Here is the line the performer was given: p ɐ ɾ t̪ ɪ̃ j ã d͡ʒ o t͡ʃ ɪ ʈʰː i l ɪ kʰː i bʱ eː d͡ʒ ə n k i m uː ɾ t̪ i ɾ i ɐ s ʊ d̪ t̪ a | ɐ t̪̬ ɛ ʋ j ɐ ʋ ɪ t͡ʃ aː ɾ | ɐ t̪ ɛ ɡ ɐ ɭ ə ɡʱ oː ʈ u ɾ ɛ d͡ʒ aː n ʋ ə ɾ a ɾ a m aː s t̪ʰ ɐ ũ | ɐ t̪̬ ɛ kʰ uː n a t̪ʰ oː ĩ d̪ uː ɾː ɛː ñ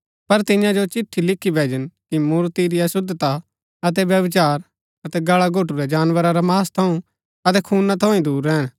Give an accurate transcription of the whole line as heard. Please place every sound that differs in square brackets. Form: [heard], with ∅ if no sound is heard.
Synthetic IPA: p ɐ ɾ t̪ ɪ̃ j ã d͡ʒ o t͡ʃ ɪ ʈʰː i l ɪ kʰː i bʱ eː d͡ʒ ə n k i m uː ɾ t̪ i ɾ i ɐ s ʊ d̪ t̪ a | ɐ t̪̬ ɛ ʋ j ɐ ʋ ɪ t͡ʃ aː ɾ | ɐ t̪ ɛ ɡ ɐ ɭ [a] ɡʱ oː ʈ u ɾ ɛ d͡ʒ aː n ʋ ə ɾ a ɾ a m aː s t̪ʰ ɐ ũ | ɐ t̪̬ ɛ kʰ uː n a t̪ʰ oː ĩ d̪ uː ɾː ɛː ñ